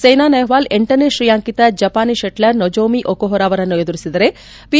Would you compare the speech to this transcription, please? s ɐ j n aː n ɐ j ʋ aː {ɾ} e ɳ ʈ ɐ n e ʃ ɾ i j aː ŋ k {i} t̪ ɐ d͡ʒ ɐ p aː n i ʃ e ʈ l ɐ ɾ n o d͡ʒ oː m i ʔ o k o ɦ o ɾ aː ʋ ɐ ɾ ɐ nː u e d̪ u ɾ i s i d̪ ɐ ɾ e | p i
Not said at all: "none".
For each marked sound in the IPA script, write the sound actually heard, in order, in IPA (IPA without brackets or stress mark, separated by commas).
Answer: l, i